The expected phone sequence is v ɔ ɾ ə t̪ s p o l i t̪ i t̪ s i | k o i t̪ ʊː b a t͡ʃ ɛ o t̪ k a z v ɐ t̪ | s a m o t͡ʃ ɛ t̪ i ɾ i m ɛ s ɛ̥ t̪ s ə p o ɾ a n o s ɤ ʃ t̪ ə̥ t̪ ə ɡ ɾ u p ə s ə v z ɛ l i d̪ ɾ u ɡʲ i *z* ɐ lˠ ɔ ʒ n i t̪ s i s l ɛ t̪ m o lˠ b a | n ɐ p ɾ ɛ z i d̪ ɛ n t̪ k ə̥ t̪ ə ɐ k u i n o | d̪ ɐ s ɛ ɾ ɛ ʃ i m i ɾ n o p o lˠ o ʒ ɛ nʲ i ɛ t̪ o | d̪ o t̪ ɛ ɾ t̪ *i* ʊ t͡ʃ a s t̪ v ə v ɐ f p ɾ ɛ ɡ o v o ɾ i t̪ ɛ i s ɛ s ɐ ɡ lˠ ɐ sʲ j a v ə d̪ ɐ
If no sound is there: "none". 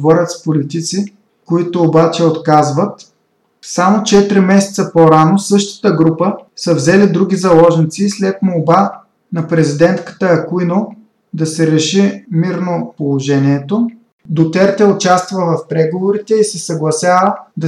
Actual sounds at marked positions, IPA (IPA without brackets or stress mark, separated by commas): z, ɛ